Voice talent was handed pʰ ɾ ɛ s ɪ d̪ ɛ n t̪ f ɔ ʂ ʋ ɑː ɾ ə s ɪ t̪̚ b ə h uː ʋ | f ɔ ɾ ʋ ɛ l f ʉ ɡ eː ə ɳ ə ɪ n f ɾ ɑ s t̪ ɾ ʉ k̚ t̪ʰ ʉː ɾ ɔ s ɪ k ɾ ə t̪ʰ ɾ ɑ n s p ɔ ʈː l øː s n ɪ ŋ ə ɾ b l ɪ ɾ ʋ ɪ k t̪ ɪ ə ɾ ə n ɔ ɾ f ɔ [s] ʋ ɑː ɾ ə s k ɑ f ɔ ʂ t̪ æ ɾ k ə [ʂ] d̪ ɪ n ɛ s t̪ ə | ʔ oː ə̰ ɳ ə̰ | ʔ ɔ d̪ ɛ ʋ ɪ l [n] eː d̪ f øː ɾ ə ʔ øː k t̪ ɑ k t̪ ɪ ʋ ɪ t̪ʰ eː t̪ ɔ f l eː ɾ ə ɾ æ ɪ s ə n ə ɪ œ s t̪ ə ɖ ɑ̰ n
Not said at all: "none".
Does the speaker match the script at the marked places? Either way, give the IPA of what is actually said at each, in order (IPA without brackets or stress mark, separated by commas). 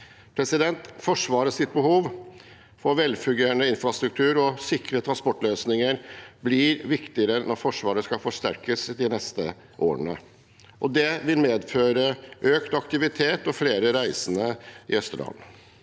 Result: ʂ, s, m